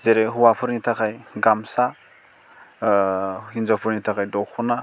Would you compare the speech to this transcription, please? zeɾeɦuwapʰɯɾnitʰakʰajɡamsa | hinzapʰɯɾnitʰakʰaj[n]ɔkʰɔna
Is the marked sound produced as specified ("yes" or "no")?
no